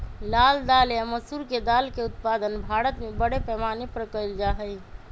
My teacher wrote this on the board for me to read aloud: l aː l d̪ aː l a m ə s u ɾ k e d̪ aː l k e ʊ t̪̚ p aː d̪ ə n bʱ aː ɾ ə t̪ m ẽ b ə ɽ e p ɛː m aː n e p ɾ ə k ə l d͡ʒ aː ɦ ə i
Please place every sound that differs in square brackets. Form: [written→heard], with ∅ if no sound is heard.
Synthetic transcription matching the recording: l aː l d̪ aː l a m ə s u ɾ k e d̪ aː l k e ʊ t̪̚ p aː d̪ ə n bʱ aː ɾ ə t̪ m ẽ b ə ɽ e p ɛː m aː n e p ɾ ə k ə l d͡ʒ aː ɦ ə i